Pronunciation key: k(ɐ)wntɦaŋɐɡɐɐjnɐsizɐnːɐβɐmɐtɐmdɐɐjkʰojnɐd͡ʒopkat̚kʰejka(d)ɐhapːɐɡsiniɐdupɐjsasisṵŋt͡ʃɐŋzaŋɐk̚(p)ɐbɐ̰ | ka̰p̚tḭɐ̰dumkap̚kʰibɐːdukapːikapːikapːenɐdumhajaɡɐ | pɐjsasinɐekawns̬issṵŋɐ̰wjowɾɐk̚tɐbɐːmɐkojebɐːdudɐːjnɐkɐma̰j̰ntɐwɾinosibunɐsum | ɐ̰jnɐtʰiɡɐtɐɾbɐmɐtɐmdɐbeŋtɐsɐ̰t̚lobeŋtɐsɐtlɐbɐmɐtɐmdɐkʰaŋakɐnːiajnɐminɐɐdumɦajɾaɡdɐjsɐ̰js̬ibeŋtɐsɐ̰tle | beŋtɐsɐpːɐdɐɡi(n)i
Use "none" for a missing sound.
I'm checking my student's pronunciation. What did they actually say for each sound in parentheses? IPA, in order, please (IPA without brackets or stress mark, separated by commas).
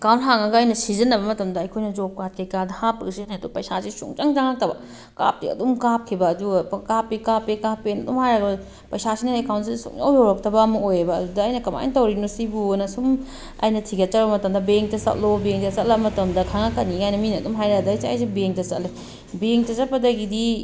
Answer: a, d, t, d